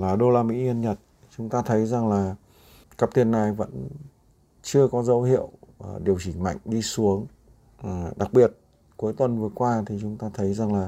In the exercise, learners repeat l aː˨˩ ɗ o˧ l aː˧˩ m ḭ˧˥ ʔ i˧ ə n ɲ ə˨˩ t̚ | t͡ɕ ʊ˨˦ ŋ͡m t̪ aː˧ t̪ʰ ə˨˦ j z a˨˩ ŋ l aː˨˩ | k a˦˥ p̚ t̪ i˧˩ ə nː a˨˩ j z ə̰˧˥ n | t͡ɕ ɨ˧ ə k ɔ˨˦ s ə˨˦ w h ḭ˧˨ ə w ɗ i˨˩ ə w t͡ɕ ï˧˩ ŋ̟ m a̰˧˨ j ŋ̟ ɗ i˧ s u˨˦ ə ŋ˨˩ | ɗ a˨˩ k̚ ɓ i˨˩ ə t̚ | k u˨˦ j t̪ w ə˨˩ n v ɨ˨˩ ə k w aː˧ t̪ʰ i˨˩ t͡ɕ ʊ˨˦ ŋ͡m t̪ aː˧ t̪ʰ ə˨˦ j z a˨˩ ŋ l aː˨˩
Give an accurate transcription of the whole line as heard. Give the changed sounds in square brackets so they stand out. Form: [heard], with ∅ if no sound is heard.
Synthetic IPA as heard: l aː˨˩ ɗ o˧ l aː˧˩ m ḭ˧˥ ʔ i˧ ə n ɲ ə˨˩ t̚ | t͡ɕ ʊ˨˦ ŋ͡m t̪ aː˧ t̪ʰ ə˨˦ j z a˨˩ ŋ l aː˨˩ | k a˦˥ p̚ t̪ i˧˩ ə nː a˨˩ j [v] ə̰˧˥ n | t͡ɕ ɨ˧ ə k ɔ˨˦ [z] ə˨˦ w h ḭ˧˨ ə w ɗ i˨˩ ə w t͡ɕ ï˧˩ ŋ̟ m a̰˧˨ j ŋ̟ ɗ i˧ s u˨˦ ə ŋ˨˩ | ɗ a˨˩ k̚ ɓ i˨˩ ə t̚ | k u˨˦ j t̪ w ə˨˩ n v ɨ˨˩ ə k w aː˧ t̪ʰ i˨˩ t͡ɕ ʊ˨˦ ŋ͡m t̪ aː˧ t̪ʰ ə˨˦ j z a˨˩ ŋ l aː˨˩